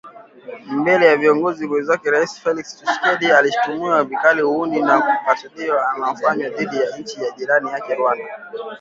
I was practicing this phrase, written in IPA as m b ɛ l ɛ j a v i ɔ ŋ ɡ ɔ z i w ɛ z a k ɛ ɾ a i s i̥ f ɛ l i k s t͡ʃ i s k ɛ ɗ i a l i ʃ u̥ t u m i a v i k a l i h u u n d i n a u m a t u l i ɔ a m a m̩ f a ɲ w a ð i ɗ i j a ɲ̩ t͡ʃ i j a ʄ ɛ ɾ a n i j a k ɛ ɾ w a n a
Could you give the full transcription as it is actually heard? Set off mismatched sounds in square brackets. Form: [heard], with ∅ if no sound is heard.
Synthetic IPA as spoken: m b ɛ l ɛ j a v i ɔ ŋ ɡ ɔ z i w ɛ z a k ɛ ɾ a i s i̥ f ɛ l i k s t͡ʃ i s k ɛ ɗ i a l i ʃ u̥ t u m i a v i k a l i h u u n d i n a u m a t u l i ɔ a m a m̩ f a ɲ w a ð i ɗ i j a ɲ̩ t͡ʃ i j a ʄ [i] ɾ a n i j a k ɛ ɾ w a n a